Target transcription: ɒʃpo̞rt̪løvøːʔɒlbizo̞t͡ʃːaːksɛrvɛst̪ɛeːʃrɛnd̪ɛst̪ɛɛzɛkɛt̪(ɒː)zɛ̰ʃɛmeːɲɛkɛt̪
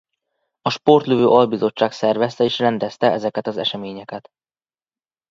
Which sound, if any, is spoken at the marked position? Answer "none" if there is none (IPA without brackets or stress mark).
ɒ